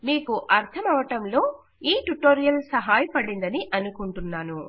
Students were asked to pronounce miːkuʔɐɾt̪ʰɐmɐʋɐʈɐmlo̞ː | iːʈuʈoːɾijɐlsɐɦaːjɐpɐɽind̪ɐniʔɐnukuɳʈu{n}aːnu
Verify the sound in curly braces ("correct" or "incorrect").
incorrect